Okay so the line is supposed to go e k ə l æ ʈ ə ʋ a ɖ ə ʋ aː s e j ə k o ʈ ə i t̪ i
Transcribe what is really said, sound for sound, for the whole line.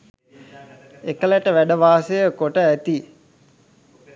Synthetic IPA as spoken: e k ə l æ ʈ ə ʋ æ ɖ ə ʋ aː s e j ə k o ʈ ə æ t̪ i